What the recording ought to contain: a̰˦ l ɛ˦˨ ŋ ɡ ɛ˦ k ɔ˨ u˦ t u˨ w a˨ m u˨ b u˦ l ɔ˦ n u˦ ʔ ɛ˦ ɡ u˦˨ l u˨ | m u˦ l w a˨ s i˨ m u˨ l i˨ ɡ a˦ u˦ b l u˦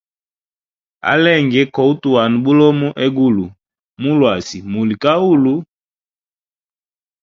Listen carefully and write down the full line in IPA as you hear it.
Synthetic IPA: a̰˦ l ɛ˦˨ ŋ ɡ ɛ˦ k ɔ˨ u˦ t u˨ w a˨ n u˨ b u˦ l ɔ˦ m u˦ ʔ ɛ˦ ɡ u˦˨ l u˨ | m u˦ l w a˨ s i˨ m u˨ l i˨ k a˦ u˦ l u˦